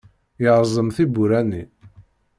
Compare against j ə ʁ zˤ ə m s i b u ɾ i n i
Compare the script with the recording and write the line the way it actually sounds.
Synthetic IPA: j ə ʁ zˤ ə m θ i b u ɾ æ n i